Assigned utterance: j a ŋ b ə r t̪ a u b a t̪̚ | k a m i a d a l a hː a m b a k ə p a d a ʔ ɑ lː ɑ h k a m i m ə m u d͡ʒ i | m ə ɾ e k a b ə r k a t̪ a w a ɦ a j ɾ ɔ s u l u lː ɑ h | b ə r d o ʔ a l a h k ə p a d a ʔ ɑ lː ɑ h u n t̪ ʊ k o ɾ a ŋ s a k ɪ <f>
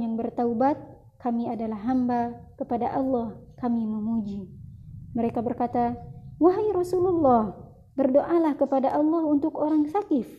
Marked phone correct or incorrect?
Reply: correct